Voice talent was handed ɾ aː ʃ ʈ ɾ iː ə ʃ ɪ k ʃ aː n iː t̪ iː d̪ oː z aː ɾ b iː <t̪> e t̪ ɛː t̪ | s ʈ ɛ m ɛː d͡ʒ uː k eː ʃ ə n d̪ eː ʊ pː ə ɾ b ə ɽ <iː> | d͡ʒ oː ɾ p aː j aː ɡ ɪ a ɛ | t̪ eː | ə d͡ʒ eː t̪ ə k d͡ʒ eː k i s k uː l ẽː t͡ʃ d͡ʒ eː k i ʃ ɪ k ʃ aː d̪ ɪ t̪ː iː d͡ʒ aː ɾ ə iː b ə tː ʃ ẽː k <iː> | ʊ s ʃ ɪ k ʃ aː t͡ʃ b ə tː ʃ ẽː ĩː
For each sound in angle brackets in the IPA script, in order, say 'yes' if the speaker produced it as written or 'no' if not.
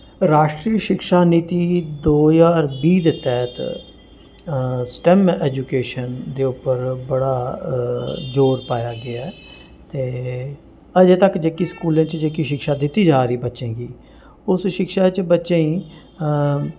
no, no, yes

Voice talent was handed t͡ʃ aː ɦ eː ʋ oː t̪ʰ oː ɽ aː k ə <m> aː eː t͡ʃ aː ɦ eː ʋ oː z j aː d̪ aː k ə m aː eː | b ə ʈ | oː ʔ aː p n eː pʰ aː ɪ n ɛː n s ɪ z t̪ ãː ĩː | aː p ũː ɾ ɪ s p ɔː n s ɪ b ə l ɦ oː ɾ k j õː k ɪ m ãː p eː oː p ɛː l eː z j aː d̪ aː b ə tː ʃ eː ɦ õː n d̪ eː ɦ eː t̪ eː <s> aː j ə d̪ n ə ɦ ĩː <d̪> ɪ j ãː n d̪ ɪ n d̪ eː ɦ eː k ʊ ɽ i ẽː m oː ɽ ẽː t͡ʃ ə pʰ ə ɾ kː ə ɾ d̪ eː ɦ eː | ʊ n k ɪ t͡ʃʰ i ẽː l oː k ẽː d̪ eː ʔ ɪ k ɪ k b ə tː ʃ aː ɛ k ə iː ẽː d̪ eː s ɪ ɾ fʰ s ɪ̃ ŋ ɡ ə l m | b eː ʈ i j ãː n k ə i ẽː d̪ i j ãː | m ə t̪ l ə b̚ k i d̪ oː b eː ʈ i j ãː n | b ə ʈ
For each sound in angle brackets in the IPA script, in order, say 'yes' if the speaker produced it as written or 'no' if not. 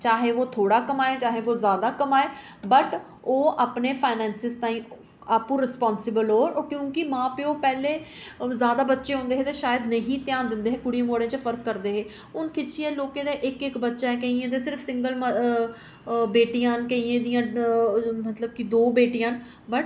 yes, no, no

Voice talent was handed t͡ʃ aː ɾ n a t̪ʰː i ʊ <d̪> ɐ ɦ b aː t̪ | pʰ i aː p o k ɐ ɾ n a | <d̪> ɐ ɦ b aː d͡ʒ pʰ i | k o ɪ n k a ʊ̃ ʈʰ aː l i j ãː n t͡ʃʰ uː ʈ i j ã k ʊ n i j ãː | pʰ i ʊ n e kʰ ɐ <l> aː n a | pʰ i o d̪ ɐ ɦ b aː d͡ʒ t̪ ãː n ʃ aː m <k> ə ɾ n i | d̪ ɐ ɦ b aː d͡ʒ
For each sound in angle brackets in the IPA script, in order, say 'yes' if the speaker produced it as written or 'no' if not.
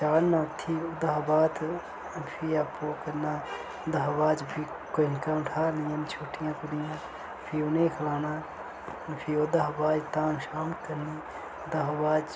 yes, yes, yes, yes

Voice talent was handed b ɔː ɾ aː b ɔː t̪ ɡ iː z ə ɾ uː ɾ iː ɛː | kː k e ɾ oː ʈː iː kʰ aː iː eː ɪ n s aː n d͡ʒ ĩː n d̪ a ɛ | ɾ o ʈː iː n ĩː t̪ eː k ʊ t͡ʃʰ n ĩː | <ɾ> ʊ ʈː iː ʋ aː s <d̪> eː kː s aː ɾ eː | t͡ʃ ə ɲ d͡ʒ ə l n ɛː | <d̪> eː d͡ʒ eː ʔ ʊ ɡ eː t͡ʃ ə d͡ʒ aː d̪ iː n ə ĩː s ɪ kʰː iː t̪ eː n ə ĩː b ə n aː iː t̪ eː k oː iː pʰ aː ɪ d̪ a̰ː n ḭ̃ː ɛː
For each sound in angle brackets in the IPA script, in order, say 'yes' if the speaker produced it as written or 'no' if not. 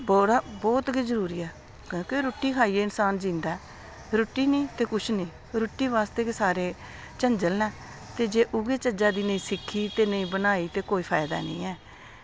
yes, no, no

